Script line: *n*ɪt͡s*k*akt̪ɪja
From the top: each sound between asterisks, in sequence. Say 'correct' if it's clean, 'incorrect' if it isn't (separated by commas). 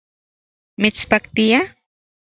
incorrect, incorrect